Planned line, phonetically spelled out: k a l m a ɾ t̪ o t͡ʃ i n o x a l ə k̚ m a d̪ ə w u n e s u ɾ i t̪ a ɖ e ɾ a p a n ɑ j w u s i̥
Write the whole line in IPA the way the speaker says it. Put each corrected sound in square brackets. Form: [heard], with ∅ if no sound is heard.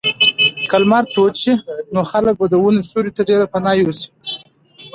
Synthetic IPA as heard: k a l m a ɾ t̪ o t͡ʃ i n o x a l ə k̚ [b] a d̪ ə w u n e s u ɾ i t̪ a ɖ e ɾ a p a n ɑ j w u s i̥